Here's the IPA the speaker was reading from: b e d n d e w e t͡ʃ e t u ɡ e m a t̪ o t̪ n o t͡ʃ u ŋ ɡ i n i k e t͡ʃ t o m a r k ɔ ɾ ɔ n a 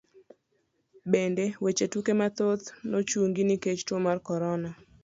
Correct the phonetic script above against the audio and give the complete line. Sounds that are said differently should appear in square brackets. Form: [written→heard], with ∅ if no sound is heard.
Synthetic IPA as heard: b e [d→∅] n d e w e t͡ʃ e t u [ɡ→k] e m a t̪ o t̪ n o t͡ʃ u ŋ ɡ i n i k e t͡ʃ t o m a r k ɔ ɾ ɔ n a